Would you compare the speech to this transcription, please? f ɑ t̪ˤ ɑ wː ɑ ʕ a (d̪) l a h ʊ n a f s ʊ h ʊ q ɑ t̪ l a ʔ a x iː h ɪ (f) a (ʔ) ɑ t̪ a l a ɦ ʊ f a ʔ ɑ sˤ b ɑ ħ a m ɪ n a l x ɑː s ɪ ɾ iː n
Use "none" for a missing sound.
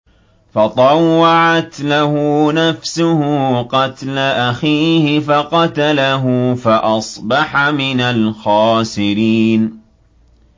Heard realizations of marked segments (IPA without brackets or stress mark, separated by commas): t̪, f, q